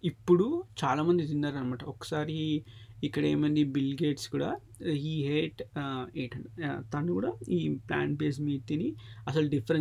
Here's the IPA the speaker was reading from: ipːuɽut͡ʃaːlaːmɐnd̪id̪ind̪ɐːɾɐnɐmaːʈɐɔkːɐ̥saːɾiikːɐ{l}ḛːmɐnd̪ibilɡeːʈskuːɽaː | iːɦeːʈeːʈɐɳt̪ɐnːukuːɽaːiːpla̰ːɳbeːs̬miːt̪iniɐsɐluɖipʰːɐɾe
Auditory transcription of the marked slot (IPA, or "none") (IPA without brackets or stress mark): ɽ